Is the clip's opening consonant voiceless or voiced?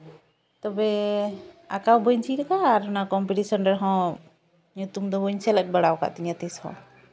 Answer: voiceless